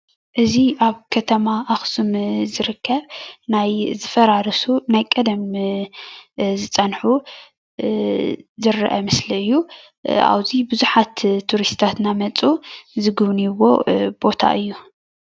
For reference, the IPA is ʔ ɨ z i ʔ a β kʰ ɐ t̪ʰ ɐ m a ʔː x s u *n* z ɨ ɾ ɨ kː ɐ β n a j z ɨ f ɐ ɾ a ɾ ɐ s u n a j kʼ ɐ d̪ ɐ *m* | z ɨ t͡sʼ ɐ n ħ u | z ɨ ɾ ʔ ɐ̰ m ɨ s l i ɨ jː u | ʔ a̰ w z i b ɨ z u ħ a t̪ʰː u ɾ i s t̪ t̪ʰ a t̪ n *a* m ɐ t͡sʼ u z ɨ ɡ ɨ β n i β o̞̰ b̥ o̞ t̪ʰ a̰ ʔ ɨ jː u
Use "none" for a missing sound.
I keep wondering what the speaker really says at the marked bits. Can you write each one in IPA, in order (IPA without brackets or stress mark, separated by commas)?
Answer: m, m, a